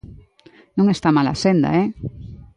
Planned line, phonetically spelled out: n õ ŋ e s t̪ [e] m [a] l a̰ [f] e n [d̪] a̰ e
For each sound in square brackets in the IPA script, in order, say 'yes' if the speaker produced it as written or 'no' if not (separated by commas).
no, yes, no, yes